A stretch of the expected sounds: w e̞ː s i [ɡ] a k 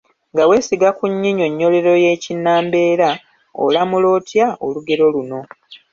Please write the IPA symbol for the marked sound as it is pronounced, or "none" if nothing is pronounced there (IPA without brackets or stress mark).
ɡ